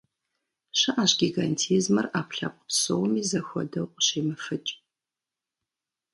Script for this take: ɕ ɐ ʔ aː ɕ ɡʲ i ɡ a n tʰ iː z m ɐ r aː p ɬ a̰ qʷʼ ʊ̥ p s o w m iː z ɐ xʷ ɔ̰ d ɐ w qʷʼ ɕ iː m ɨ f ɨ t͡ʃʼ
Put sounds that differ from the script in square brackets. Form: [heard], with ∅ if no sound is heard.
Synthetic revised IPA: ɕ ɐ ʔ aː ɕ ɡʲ i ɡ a n tʰ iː z m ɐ r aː p ɬ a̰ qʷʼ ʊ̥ p s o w m iː z ɐ xʷ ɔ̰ d ɐ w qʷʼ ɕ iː m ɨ f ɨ t͡ʃʼ